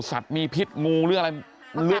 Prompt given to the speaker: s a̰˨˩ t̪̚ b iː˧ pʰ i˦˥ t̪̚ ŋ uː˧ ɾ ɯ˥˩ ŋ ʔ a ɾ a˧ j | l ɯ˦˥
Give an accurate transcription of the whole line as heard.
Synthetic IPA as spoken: s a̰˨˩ t̪̚ m iː˧ pʰ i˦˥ t̪̚ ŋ uː˧ ɾ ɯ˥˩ ŋ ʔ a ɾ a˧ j | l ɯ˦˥